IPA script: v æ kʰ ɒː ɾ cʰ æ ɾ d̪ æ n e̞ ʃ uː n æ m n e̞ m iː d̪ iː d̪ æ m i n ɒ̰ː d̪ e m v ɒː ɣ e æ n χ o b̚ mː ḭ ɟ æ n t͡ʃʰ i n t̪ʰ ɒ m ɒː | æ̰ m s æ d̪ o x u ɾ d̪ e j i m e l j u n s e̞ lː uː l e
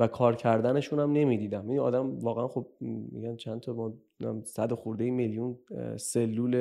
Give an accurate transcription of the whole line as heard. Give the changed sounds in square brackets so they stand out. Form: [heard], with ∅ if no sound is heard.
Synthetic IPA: v æ kʰ ɒː ɾ cʰ æ ɾ d̪ æ n e̞ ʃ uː n æ m n e̞ m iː d̪ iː d̪ æ m i n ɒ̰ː d̪ [æ] m v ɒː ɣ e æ n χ o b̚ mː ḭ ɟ æ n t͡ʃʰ [æ] n t̪ʰ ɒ m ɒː | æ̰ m s æ d̪ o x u ɾ d̪ e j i m e l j u n s e̞ lː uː l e